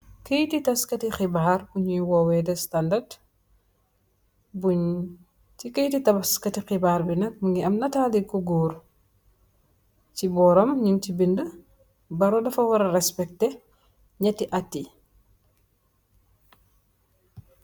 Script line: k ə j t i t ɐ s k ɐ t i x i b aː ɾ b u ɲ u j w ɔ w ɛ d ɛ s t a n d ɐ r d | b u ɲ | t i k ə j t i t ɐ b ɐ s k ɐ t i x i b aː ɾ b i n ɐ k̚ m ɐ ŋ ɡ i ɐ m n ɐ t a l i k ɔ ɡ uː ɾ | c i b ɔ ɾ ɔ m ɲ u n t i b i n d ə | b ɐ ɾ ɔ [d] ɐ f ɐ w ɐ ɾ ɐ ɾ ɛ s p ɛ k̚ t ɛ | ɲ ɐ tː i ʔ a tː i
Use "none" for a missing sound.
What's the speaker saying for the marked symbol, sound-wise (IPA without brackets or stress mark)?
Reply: d